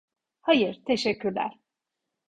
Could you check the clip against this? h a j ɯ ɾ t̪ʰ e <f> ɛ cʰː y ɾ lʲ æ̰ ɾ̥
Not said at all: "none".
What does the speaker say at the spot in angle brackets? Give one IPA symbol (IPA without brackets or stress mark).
ʃ